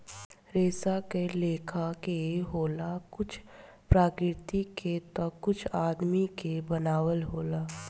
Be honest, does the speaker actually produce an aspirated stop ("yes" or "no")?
yes